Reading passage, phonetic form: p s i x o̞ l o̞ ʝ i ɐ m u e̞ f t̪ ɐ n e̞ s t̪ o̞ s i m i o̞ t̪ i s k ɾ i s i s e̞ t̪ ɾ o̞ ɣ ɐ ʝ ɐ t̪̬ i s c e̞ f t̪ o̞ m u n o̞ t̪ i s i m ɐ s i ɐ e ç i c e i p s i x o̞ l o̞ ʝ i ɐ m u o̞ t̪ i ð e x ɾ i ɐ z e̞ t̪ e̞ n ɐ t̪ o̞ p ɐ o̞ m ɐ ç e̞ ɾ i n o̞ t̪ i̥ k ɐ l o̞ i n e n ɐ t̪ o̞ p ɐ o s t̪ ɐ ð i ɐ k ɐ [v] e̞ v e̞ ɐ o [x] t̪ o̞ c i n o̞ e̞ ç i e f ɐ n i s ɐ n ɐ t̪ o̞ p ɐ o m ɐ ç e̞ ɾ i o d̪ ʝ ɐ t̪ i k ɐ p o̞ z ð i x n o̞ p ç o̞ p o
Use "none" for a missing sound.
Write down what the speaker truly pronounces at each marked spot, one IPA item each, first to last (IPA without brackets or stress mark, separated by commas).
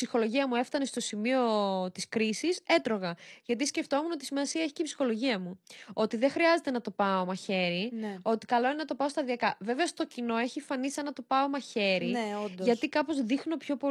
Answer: v, s